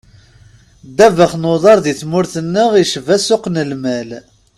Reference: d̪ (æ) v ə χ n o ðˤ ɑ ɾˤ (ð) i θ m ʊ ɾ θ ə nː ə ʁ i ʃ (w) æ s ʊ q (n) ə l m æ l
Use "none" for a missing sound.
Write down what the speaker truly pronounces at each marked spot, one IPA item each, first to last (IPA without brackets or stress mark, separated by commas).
æ, ð, v, n